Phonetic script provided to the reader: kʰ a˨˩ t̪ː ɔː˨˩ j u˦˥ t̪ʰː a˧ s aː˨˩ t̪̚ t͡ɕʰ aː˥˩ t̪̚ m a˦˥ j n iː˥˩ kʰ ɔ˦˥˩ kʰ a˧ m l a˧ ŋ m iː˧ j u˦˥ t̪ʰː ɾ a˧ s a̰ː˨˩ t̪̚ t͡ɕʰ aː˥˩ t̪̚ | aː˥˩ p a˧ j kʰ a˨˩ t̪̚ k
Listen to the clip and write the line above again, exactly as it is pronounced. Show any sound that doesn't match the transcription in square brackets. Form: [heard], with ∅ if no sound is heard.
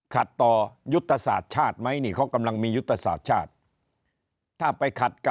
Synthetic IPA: kʰ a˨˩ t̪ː ɔː˨˩ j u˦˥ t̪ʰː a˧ s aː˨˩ t̪̚ t͡ɕʰ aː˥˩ t̪̚ m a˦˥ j n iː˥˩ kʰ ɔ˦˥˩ [k] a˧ m l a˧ ŋ m iː˧ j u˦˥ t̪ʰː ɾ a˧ s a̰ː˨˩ t̪̚ t͡ɕʰ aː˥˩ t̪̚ | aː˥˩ p a˧ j kʰ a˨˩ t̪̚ k